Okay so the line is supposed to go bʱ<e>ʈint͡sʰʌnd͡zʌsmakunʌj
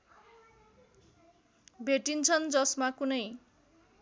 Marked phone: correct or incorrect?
correct